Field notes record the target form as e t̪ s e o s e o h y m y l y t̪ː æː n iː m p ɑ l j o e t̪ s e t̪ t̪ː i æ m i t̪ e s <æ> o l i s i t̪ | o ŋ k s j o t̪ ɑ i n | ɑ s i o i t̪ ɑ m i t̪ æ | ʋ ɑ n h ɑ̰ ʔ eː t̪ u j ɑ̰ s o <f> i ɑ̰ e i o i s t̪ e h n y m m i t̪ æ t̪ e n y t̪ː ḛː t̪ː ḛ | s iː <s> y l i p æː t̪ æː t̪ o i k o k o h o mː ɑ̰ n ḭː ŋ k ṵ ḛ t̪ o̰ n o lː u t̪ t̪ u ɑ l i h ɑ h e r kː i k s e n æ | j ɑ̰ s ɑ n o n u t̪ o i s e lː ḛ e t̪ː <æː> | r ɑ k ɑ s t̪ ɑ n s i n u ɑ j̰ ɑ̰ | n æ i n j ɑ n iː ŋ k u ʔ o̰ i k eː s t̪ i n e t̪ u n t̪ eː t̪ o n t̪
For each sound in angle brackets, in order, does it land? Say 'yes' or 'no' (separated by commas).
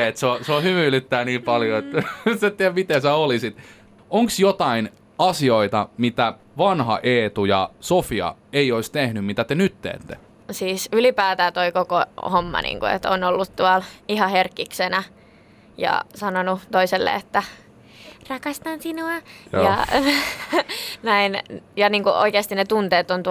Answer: yes, yes, yes, no